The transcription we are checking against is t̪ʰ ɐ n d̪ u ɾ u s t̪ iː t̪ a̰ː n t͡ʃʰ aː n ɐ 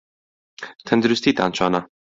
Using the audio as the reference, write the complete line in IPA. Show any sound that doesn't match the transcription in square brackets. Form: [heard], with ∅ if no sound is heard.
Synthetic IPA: t̪ʰ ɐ n d̪ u ɾ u s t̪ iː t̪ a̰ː n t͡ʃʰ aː n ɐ